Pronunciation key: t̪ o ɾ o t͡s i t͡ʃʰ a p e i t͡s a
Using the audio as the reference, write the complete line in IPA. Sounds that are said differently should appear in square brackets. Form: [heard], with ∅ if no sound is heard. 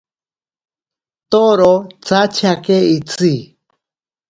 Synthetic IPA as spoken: t̪ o ɾ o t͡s [a] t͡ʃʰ a [k] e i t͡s [i]